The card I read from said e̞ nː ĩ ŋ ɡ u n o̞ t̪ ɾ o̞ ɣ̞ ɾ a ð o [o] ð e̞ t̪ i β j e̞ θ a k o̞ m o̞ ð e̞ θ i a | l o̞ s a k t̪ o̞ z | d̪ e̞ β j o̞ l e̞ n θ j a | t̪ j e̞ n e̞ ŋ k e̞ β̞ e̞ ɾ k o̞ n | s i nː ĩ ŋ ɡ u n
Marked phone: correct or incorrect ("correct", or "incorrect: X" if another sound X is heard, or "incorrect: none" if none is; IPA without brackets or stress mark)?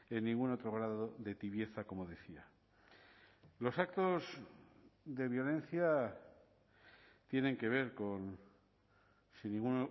correct